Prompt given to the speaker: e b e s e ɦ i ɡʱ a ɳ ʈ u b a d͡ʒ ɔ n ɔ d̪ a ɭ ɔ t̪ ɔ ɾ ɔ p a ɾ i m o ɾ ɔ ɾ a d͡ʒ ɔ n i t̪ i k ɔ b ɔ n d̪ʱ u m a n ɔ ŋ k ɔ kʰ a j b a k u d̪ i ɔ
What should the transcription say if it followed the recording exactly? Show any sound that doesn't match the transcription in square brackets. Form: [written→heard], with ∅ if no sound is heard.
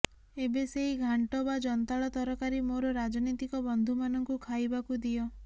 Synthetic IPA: e b e s e ɦ i ɡʱ a ɳ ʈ [u→ɔ] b a d͡ʒ ɔ n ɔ [d̪→t̪] a ɭ ɔ t̪ ɔ ɾ ɔ [p→k] a ɾ i m o ɾ ɔ ɾ a d͡ʒ ɔ n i t̪ i k ɔ b ɔ n d̪ʱ u m a n ɔ ŋ k [ɔ→u] kʰ a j b a k u d̪ i ɔ